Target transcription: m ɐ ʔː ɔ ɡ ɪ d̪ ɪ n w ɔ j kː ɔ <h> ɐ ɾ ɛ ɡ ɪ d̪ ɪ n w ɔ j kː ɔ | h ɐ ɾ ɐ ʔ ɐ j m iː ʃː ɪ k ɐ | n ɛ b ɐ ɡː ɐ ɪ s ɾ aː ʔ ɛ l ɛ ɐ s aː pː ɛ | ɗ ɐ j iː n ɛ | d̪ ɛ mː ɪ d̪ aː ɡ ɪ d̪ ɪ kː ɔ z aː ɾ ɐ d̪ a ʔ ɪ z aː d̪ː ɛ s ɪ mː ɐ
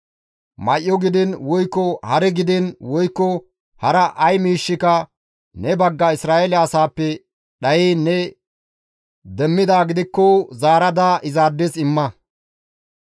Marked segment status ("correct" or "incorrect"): correct